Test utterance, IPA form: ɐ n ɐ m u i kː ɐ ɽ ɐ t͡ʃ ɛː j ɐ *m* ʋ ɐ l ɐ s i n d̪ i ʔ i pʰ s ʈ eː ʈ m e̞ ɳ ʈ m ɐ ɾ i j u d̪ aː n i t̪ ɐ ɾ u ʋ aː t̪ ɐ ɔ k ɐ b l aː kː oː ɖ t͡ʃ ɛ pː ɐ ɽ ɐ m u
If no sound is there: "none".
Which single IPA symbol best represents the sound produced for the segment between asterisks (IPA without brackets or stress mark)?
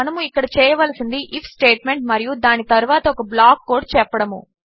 none